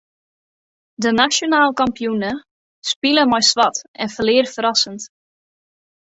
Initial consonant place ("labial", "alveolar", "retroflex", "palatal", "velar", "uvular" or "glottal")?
alveolar